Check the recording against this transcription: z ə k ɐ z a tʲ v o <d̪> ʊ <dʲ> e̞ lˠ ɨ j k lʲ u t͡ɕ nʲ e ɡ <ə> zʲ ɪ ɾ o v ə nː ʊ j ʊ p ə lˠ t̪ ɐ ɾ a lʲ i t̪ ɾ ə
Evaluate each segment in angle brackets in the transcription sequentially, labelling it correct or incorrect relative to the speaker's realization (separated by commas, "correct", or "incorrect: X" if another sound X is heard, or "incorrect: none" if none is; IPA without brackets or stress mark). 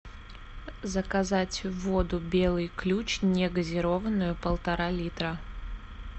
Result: correct, incorrect: bʲ, correct